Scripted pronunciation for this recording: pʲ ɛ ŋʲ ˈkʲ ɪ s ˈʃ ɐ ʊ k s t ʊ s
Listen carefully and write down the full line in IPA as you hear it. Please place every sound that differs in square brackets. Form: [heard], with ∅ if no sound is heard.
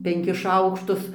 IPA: pʲ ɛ ŋʲ ˈkʲ ɪ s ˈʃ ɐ ʊ k [ʃ] t ʊ s